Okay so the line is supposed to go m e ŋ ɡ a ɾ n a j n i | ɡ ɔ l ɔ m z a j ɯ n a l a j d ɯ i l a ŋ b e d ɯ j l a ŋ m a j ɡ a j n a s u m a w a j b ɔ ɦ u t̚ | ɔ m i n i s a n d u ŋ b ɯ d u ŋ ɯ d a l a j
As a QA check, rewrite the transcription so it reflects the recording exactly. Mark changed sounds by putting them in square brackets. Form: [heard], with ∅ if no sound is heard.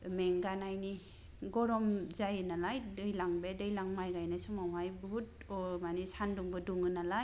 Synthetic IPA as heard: m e ŋ ɡ a [∅] n a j n i | ɡ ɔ [ɾ] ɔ m z a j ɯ n a l a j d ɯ [j] l a ŋ b e d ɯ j l a ŋ m a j ɡ a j n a s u m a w a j b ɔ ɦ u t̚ | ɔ m [a] n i s a n d u ŋ b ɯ d u ŋ ɯ [n] a l a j